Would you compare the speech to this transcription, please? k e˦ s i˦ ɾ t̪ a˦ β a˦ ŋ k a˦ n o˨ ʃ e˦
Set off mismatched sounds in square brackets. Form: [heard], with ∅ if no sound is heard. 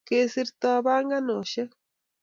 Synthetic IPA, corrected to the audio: k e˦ s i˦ ɾ t̪ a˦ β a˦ ŋ [ɡ] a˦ n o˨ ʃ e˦